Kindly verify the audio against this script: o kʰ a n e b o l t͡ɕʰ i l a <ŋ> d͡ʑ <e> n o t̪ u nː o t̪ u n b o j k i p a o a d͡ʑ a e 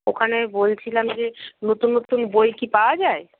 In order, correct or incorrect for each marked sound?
incorrect, correct

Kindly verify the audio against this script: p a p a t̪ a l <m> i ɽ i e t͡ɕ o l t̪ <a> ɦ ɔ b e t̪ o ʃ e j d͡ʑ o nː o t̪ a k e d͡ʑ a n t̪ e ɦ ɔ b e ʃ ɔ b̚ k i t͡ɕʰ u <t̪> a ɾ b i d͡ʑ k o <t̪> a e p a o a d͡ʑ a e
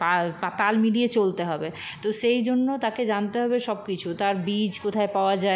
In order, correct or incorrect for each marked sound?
correct, incorrect, correct, incorrect

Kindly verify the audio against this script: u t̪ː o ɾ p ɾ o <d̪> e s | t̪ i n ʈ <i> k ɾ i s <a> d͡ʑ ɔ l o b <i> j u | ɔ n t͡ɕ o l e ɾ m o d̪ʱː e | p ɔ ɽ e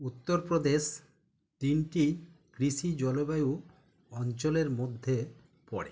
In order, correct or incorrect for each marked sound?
correct, correct, incorrect, incorrect

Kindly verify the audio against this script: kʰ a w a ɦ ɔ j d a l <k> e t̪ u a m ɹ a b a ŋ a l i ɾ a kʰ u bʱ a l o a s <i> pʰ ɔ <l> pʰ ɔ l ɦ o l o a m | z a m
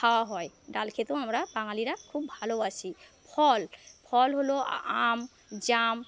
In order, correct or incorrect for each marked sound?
incorrect, correct, correct

